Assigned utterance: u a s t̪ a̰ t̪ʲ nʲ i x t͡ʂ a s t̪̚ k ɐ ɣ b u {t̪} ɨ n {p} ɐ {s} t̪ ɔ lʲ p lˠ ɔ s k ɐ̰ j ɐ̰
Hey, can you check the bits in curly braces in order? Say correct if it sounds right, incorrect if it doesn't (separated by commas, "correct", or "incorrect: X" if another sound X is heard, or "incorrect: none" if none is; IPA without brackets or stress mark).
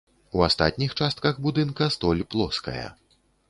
incorrect: d̪, incorrect: k, correct